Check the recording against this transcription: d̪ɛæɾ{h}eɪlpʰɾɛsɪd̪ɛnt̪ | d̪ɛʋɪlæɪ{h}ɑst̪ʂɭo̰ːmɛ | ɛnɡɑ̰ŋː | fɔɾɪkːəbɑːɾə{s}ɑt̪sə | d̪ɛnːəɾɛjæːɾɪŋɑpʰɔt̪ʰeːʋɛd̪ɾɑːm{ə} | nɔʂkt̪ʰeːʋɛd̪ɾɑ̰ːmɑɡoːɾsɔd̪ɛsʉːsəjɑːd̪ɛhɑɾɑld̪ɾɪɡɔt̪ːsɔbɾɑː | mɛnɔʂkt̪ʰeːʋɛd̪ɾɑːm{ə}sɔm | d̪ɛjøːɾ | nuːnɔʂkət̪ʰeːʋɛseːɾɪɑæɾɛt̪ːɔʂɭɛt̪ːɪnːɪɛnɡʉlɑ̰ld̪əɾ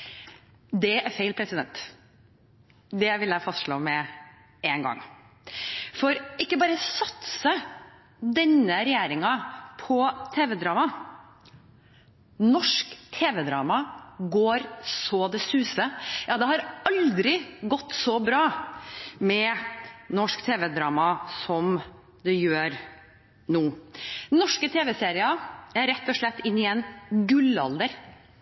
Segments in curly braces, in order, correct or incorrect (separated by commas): incorrect, incorrect, correct, incorrect, incorrect